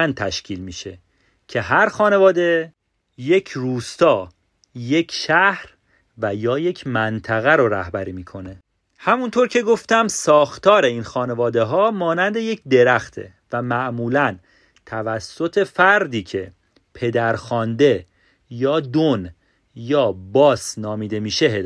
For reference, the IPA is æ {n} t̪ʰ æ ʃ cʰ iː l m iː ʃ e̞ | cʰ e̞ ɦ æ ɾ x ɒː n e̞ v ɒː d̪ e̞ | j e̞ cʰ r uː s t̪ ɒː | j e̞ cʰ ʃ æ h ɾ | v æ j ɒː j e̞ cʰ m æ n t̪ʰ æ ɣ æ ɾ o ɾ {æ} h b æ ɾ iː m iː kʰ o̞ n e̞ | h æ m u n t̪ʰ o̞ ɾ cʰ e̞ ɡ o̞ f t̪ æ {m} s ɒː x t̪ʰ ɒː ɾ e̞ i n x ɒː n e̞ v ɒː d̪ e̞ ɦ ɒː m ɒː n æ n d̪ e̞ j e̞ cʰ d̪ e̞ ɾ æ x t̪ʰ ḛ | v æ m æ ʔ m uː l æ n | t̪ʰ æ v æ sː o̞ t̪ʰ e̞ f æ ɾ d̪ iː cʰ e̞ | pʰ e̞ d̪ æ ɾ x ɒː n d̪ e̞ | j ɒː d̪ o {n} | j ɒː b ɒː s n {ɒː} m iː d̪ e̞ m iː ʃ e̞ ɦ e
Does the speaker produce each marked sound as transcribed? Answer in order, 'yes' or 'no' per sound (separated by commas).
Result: yes, yes, yes, yes, yes